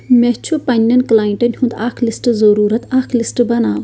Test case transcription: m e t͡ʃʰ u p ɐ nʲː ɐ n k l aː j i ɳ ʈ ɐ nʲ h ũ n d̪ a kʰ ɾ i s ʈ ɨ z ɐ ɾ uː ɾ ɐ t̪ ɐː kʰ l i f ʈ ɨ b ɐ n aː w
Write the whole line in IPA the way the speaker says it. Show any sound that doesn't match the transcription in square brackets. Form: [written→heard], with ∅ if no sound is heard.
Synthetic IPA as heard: m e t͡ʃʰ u p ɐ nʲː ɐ n k l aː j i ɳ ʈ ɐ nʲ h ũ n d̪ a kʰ [ɾ→l] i s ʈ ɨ z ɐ ɾ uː ɾ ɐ t̪ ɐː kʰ l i [f→s] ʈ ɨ b ɐ n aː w